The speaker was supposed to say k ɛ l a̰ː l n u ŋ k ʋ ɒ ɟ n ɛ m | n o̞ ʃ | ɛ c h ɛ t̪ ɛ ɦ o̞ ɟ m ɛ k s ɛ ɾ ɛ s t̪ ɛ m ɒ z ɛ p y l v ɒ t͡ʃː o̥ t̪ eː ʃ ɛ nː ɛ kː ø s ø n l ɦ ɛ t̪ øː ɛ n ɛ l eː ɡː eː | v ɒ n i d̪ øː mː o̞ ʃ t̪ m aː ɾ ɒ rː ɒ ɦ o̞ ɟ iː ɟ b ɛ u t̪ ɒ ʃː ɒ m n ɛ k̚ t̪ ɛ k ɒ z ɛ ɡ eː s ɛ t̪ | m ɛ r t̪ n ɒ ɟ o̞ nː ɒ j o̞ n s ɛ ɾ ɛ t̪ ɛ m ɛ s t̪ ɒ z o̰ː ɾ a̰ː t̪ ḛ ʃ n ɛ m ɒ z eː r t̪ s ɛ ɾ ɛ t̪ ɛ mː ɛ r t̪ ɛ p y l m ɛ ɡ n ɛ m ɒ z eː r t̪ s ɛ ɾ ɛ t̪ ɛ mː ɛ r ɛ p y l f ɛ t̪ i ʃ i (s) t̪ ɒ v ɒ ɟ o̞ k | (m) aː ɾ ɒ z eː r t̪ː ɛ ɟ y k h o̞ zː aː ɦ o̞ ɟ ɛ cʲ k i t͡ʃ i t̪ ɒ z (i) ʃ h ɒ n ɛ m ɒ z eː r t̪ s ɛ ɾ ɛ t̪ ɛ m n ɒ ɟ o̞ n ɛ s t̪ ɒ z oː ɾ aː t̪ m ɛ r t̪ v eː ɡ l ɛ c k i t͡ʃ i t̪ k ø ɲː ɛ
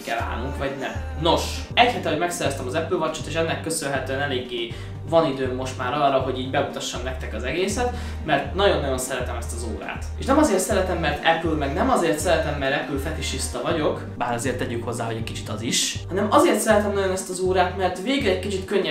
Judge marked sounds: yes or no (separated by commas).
yes, no, yes